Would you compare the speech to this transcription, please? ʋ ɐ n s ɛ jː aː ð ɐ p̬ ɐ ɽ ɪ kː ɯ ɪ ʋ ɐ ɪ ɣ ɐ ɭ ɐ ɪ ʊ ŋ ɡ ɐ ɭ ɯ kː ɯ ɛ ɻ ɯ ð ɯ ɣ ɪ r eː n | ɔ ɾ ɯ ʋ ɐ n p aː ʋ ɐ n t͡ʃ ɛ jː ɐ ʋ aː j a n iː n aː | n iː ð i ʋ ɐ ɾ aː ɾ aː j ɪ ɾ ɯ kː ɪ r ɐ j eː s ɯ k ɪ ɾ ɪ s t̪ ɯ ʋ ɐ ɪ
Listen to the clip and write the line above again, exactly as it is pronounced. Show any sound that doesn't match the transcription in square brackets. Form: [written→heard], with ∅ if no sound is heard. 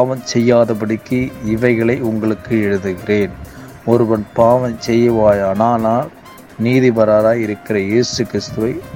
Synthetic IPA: ʋ ɐ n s ɛ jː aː ð ɐ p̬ ɐ ɽ ɪ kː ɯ ɪ ʋ ɐ ɪ ɣ ɐ ɭ ɐ ɪ ʊ ŋ ɡ ɐ ɭ ɯ kː ɯ ɛ ɻ ɯ ð ɯ ɣ ɪ r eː n | ɔ ɾ ɯ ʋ ɐ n p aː ʋ ɐ n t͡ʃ ɛ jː ɐ ʋ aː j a n [iː→aː] n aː | n iː ð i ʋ ɐ ɾ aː ɾ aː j ɪ ɾ ɯ kː ɪ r ɐ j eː s ɯ k ɪ ɾ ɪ s t̪ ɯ ʋ ɐ ɪ